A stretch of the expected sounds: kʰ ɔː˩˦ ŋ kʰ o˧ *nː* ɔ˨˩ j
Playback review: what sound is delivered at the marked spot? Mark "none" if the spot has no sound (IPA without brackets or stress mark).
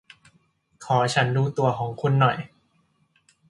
nː